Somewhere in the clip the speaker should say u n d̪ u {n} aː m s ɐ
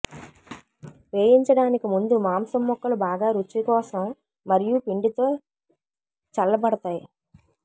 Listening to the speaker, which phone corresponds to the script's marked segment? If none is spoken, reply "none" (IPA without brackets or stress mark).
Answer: m